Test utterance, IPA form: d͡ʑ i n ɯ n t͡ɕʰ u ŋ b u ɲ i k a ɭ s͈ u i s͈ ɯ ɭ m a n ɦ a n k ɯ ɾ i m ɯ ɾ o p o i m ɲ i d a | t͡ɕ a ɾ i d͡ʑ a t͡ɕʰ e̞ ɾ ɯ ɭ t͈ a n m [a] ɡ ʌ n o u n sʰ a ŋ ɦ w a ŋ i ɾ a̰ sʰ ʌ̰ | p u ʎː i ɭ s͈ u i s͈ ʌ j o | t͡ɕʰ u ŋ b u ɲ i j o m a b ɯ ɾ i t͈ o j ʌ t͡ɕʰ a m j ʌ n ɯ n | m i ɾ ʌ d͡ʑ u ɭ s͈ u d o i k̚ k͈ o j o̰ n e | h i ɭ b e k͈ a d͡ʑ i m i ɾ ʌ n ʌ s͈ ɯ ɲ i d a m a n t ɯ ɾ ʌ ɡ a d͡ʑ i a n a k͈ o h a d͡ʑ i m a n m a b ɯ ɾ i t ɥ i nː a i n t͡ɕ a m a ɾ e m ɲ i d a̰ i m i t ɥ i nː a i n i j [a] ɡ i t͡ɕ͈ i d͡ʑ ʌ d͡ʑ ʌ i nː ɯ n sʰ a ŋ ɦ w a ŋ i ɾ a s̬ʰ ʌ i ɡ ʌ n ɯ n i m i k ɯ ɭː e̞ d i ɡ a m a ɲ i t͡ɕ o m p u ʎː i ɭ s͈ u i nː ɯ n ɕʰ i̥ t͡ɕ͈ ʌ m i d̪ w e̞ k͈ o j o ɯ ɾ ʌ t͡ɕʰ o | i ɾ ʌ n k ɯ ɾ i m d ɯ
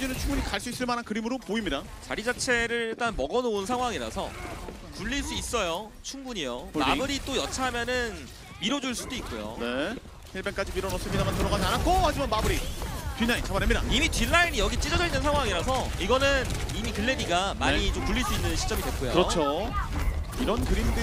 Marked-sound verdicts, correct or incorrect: incorrect: ʌ, incorrect: ʌ

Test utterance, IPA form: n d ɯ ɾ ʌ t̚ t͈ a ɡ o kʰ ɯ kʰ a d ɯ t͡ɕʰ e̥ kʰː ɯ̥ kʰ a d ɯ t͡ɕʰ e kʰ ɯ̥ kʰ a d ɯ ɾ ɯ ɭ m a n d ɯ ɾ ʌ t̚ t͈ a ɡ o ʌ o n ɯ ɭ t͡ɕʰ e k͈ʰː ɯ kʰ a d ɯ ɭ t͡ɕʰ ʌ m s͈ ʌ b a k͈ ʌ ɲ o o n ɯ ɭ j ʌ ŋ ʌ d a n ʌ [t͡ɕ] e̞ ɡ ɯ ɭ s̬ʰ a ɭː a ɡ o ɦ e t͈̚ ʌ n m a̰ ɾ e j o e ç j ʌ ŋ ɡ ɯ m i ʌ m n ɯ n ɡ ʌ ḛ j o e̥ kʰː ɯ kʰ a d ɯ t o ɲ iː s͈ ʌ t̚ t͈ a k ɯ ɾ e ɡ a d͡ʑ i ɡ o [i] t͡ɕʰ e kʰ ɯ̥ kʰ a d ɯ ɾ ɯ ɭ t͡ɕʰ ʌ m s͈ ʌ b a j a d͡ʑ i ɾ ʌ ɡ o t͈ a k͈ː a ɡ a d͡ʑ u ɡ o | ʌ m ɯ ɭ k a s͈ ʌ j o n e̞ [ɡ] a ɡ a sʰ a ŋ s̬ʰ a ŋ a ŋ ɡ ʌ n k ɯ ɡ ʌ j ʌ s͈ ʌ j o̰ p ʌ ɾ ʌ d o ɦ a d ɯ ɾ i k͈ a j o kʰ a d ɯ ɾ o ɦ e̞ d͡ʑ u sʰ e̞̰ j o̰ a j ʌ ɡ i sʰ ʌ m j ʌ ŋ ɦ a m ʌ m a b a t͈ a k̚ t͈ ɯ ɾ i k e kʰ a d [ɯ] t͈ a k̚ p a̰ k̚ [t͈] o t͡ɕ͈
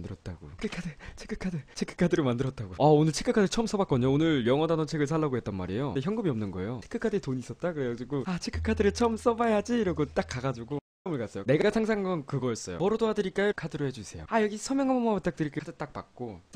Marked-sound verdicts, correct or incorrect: incorrect: t͡ɕʰ, incorrect: a, correct, correct, incorrect: k͈

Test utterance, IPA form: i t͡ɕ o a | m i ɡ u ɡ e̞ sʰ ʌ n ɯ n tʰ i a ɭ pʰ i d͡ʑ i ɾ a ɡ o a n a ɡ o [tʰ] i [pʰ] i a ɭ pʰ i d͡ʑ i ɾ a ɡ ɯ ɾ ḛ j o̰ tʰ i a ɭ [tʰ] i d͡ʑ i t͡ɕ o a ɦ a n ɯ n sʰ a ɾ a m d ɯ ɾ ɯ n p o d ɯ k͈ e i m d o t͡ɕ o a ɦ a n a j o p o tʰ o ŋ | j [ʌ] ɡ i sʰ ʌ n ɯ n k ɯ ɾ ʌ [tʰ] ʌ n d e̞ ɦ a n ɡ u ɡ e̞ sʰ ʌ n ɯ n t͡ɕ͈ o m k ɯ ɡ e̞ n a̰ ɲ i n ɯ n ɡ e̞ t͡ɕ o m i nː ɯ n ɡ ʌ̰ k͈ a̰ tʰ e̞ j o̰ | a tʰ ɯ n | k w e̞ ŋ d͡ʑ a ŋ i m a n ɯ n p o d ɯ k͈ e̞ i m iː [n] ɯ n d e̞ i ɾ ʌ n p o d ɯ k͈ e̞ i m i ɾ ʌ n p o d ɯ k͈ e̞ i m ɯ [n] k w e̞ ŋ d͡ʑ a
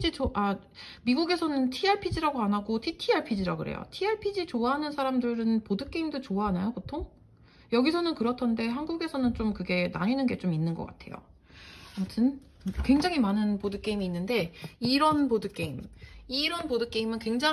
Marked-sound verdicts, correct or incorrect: correct, incorrect: tʰ, incorrect: pʰ, correct, correct, incorrect: nː, correct

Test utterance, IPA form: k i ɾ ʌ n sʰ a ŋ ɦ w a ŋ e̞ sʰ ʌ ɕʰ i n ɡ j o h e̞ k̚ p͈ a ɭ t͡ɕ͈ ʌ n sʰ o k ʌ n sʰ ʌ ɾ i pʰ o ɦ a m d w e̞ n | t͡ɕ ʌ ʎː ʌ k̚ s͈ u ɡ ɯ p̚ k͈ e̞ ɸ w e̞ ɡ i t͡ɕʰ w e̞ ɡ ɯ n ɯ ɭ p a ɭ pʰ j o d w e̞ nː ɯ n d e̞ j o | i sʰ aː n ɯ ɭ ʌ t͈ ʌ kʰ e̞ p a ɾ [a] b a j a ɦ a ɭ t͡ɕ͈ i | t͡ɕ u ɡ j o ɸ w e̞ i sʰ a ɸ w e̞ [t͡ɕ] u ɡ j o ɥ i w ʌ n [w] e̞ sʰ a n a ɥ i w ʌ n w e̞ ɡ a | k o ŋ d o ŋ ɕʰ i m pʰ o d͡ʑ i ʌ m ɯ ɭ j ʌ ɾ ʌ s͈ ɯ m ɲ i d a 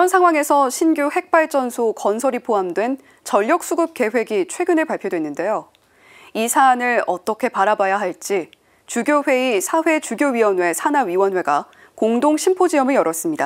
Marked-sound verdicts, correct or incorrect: correct, correct, correct

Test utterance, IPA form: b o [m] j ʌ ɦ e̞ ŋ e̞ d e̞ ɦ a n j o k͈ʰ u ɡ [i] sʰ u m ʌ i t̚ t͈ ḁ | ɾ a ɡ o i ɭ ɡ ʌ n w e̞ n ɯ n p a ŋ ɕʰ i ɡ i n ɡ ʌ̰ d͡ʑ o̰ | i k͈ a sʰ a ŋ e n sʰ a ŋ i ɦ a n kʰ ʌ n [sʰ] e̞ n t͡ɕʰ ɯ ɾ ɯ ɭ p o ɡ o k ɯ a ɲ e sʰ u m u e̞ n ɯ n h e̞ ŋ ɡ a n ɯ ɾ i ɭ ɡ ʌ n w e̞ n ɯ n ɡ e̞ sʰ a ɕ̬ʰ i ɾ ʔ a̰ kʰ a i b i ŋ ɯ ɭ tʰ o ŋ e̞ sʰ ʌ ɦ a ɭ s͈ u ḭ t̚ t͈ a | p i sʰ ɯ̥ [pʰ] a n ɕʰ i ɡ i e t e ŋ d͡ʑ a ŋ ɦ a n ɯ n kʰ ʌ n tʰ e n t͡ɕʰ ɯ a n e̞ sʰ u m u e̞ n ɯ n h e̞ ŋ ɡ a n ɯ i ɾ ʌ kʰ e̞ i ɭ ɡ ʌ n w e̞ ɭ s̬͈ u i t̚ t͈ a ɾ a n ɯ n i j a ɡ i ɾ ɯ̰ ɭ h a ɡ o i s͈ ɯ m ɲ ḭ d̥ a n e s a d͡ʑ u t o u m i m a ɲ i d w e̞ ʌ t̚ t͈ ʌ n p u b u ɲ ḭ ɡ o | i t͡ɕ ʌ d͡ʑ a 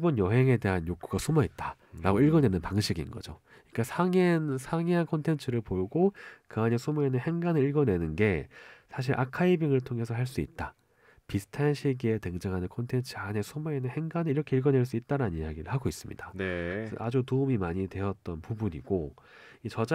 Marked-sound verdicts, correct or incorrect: incorrect: n, incorrect: a, incorrect: tʰ, incorrect: tʰ

